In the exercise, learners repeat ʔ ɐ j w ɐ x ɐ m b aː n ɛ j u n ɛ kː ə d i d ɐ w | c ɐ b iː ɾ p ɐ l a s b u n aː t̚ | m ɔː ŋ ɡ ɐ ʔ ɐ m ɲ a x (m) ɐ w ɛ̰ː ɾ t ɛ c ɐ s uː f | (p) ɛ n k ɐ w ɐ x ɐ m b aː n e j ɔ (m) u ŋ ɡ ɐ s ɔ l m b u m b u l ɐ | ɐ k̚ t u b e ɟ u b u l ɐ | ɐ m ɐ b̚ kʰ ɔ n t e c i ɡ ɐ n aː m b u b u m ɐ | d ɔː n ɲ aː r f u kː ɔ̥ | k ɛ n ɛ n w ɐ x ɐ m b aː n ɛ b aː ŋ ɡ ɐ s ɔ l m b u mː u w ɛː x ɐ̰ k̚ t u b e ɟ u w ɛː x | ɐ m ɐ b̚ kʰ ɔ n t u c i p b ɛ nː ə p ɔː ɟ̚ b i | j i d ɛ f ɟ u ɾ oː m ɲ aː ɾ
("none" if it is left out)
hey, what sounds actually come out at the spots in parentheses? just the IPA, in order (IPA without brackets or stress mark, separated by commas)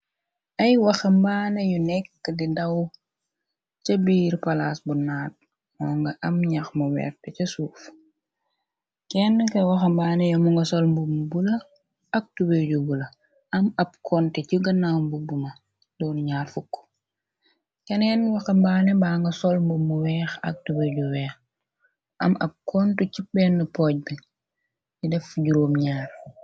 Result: m, k, m